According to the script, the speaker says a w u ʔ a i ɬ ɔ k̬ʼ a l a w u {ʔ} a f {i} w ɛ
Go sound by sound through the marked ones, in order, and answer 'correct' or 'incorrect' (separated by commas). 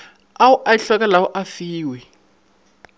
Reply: correct, incorrect